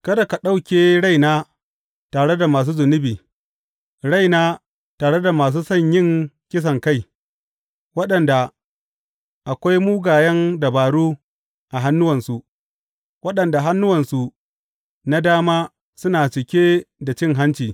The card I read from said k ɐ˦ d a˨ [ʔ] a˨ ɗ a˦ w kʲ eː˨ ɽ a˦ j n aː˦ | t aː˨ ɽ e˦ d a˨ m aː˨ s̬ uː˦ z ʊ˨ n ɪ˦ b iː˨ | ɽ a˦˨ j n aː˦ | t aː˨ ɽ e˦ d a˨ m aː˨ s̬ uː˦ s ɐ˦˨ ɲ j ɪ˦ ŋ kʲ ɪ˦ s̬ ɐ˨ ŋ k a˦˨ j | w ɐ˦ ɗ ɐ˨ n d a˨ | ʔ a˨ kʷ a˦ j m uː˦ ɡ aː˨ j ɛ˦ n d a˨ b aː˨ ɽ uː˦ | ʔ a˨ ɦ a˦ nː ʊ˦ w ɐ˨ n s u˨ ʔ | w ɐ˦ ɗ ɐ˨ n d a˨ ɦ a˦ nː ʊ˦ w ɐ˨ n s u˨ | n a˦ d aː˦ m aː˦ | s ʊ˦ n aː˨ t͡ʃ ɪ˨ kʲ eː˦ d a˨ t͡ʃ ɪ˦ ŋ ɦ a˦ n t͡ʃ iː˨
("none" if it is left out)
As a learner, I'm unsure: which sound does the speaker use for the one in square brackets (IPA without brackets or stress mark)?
k